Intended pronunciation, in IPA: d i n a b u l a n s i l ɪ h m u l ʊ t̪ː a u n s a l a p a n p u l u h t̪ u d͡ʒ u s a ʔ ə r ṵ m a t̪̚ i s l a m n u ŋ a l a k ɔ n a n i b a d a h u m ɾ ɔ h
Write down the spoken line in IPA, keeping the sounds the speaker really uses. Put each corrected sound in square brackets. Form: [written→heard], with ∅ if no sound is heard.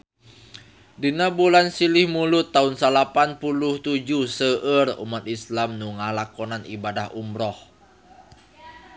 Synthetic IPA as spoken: d i n a b u l a n s i l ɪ h m u l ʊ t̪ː a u n s a l a p a n p u l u h t̪ u d͡ʒ u s [a→ə] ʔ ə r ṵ m a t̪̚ i s l a m n u ŋ a l a k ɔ n a n i b a d a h u m ɾ ɔ h